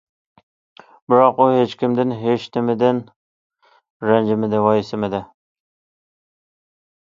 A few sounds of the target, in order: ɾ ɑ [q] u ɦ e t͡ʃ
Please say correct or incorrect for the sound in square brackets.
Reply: correct